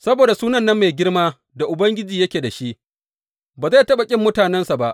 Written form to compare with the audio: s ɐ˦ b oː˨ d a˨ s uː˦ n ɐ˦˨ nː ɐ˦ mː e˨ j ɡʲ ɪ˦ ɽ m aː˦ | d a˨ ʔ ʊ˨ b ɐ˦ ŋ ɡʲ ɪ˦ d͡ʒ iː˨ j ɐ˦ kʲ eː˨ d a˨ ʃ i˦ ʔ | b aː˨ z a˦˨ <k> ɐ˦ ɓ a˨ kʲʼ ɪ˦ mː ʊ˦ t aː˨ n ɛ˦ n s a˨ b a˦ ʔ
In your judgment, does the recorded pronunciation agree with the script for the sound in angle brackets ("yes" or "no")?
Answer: no